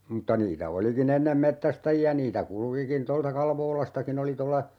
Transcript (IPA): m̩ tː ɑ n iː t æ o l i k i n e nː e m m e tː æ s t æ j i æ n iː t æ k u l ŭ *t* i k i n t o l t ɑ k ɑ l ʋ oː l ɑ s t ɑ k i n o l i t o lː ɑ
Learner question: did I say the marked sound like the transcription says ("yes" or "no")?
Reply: no